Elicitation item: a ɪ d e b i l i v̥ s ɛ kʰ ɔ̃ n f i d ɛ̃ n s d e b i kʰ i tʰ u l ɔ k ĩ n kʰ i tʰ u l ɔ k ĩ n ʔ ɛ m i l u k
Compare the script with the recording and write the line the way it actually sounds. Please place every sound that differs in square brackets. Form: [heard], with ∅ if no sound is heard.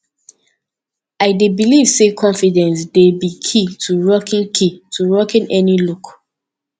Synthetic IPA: a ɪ d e b i l i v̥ s [e] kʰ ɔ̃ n f i d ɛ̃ n s d e b i kʰ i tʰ u [ɹ] ɔ k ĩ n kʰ i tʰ u [ɹ] ɔ k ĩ n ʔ ɛ [n] i l u k